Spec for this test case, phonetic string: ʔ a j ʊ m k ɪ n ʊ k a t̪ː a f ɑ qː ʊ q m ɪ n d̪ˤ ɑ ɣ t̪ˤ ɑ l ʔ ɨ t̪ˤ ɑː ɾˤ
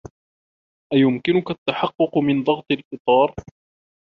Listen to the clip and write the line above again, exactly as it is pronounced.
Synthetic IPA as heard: ʔ a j ʊ m k ɪ n ʊ k a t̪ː a ħ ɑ qː ʊ q m ɪ n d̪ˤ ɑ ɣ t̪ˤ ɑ l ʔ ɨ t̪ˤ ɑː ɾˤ